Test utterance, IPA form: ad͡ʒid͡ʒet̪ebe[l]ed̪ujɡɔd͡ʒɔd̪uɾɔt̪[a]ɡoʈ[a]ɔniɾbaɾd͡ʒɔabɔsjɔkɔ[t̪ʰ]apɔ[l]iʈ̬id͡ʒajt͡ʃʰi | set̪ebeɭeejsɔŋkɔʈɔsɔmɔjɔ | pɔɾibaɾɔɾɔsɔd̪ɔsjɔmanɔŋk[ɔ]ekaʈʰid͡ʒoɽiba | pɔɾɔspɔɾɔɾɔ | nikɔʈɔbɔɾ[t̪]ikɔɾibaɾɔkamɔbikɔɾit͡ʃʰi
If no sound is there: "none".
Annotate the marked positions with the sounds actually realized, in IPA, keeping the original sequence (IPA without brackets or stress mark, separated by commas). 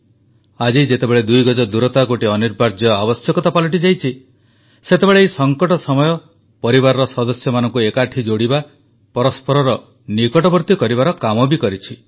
ɭ, a, i, t̪, l, u, t̪